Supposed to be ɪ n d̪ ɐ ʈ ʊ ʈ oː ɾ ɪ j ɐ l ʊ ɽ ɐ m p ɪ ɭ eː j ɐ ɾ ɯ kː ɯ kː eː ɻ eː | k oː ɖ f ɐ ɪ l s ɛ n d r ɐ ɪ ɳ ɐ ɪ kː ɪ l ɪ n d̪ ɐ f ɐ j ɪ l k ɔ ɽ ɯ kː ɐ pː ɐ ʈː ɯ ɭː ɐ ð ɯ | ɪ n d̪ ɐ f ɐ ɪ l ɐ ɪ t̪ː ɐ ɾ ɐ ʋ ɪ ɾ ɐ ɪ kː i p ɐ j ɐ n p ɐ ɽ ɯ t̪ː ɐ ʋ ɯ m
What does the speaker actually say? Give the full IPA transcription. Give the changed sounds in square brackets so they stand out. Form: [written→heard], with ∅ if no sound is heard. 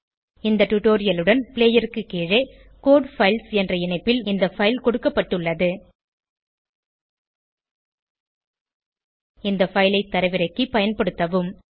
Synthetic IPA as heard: ɪ n d̪ ɐ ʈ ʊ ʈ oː ɾ ɪ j ɐ l [ʊ→ɯ] ɽ ɐ [m→n] p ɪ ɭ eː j ɐ ɾ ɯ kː ɯ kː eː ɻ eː | k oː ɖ f ɐ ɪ l s ɛ n d r ɐ ɪ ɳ ɐ ɪ [kː→pː] ɪ l ɪ n d̪ ɐ f ɐ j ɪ l k ɔ ɽ ɯ kː ɐ pː ɐ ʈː ɯ ɭː ɐ ð ɯ | ɪ n d̪ ɐ f ɐ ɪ l ɐ ɪ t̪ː ɐ ɾ ɐ ʋ ɪ ɾ ɐ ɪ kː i p ɐ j ɐ n p ɐ ɽ ɯ t̪ː ɐ ʋ ɯ m

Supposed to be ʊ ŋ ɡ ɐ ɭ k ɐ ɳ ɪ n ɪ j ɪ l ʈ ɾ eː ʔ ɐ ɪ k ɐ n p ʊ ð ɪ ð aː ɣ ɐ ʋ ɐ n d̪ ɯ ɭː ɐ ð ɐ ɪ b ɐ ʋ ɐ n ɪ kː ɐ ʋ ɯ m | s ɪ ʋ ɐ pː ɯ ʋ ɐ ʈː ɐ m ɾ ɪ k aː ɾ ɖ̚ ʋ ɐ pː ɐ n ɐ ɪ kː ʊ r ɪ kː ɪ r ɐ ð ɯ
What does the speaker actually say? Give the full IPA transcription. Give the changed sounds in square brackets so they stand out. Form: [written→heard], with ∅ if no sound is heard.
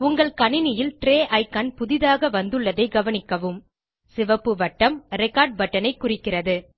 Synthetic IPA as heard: ʊ ŋ ɡ ɐ ɭ k ɐ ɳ ɪ n ɪ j ɪ l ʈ ɾ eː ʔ ɐ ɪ k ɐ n p ʊ ð ɪ ð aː ɣ ɐ ʋ ɐ n d̪ ɯ ɭː ɐ ð ɐ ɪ [b→ɡ] ɐ ʋ ɐ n ɪ kː ɐ ʋ ɯ m | s ɪ ʋ ɐ pː ɯ ʋ ɐ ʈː ɐ m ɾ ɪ k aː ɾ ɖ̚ ʋ ɐ [pː→ʈː] ɐ n ɐ ɪ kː ʊ r ɪ kː ɪ r ɐ ð ɯ

